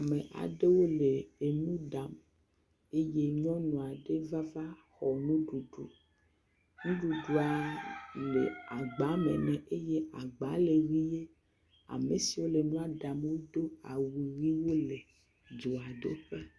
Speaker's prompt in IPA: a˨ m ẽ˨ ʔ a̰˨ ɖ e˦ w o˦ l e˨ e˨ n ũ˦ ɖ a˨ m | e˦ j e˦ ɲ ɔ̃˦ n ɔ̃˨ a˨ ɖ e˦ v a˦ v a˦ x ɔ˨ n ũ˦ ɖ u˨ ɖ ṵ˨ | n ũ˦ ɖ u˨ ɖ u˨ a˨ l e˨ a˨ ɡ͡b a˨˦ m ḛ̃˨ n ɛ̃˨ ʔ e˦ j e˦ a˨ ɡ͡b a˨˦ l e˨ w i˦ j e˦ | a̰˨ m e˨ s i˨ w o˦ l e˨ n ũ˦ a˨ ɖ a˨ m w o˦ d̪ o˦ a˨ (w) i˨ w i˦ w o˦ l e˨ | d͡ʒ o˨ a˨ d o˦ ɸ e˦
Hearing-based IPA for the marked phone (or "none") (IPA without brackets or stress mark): w